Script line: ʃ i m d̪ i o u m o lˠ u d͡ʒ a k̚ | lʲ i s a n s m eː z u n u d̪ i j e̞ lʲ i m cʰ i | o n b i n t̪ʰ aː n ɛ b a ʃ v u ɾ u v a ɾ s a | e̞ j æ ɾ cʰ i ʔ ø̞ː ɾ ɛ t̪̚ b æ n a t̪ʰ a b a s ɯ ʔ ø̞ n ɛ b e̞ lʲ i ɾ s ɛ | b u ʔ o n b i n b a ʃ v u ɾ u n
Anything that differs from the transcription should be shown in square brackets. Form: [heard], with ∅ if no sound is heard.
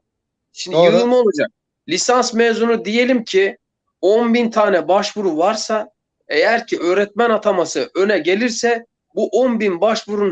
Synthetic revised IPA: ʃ i m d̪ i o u m o lˠ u d͡ʒ a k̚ | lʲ i s a n s m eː z u n u d̪ i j e̞ lʲ i m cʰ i | o n b i n t̪ʰ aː n ɛ b a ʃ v u ɾ u v a ɾ s a | e̞ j æ ɾ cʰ i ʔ ø̞ː ɾ ɛ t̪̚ [m] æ n a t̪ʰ a [m] a s ɯ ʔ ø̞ n ɛ [ɟ] e̞ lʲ i ɾ s ɛ | b u ʔ o n b i n b a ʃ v u ɾ u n